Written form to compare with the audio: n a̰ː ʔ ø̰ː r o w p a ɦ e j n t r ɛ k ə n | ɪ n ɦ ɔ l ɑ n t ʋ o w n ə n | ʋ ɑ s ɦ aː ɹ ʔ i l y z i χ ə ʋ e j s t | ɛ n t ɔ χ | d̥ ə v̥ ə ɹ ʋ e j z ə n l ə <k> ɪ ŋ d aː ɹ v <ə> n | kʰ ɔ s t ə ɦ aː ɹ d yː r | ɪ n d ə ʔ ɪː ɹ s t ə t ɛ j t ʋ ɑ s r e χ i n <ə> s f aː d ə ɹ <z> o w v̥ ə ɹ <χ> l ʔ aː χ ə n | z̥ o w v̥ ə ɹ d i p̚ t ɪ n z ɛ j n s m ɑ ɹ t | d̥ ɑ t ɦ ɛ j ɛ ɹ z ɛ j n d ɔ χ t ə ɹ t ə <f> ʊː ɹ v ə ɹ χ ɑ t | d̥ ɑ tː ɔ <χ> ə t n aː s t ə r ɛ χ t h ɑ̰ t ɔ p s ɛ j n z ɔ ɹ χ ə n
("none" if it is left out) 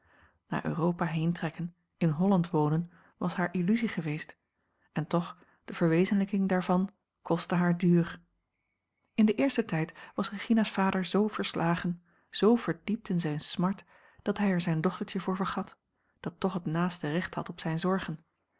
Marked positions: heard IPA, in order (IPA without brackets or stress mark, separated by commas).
k, ɑ, a, z, s, v, χ